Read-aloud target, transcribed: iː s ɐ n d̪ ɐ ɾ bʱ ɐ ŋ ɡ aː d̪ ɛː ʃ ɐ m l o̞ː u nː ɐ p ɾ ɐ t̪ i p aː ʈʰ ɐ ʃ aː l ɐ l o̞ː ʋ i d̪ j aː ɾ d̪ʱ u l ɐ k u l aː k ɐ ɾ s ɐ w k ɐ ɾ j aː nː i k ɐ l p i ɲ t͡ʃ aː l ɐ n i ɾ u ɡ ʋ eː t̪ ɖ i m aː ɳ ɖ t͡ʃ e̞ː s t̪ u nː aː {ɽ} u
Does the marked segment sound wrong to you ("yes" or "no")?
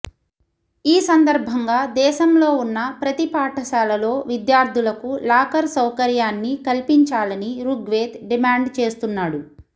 no